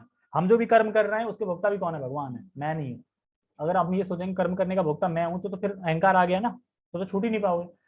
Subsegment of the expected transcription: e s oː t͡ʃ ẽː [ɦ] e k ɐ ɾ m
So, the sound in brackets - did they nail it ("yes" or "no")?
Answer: no